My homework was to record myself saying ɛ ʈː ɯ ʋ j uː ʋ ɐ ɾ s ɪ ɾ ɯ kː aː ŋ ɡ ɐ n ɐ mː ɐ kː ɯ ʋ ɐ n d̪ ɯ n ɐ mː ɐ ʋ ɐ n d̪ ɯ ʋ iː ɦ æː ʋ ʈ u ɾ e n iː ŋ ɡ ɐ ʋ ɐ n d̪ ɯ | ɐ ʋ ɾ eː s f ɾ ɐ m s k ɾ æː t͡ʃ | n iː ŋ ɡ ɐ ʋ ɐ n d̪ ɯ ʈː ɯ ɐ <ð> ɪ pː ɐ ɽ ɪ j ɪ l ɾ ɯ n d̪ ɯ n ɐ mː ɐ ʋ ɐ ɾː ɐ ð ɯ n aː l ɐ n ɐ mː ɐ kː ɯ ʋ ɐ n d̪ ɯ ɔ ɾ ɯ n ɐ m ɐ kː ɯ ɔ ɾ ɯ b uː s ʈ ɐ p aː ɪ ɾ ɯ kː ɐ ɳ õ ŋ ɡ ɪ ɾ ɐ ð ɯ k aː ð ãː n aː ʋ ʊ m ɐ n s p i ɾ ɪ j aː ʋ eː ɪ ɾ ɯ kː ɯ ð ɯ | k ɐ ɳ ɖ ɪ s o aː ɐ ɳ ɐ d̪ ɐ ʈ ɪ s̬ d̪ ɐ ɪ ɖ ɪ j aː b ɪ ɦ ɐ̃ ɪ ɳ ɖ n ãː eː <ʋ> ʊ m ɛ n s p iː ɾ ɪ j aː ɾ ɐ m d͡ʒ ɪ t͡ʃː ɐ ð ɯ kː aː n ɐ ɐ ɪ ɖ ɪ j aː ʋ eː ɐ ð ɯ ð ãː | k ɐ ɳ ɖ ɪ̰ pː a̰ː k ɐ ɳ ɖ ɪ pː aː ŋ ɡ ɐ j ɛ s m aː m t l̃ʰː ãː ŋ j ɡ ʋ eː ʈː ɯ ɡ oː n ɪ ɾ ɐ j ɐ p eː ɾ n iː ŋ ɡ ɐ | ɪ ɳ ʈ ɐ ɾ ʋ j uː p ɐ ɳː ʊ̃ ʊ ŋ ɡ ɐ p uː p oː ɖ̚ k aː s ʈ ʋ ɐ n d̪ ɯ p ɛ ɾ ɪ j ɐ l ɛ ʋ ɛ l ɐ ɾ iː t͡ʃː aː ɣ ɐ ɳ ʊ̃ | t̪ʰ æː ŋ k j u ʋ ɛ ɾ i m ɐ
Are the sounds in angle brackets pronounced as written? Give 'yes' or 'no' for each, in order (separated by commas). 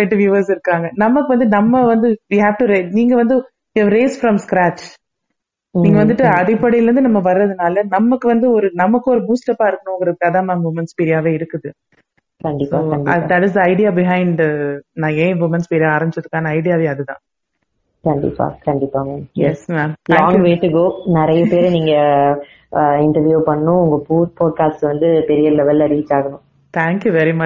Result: yes, yes